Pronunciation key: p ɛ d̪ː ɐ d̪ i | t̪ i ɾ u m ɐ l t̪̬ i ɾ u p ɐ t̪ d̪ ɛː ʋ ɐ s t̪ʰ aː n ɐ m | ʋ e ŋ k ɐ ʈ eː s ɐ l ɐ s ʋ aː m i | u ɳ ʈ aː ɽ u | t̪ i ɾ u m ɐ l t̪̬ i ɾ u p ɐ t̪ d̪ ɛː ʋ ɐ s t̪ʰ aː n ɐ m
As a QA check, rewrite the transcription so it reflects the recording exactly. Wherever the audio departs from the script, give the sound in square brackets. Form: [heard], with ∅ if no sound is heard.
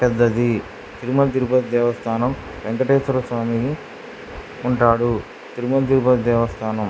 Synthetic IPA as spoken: p ɛ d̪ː ɐ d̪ i | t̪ i ɾ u m ɐ l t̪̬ i ɾ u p ɐ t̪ d̪ ɛː ʋ ɐ s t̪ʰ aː n ɐ m | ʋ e ŋ k ɐ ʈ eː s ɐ [ɾ] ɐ s ʋ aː m i | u ɳ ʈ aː ɽ u | t̪ i ɾ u m ɐ l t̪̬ i ɾ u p ɐ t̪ d̪ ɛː ʋ ɐ s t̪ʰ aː n ɐ m